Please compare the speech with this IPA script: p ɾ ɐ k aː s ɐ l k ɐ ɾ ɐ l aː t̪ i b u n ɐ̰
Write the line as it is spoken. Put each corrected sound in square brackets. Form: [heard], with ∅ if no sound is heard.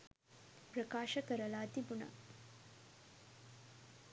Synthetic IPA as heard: p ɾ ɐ k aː [ʃ] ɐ [∅] k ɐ ɾ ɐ l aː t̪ i b u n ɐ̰